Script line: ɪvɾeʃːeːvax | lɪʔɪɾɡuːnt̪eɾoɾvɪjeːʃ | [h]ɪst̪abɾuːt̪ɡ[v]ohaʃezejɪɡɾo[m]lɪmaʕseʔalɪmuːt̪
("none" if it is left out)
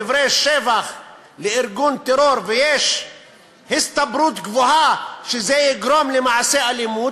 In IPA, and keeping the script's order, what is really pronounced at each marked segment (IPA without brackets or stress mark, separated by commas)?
h, v, m